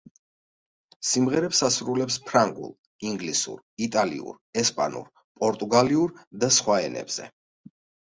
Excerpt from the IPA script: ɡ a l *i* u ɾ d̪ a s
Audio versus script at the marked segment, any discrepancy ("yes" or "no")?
no